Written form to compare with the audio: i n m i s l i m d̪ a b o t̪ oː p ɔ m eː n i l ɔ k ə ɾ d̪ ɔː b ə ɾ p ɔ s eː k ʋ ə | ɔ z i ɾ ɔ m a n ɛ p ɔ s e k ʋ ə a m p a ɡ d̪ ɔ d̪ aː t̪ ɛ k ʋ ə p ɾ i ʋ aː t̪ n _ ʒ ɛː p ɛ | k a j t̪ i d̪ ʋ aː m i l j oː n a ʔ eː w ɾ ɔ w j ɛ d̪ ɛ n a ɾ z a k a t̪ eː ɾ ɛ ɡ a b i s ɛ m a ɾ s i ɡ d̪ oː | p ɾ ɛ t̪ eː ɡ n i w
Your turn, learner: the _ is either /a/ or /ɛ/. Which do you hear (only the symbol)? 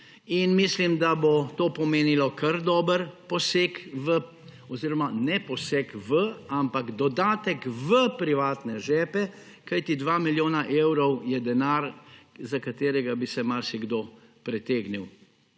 ɛ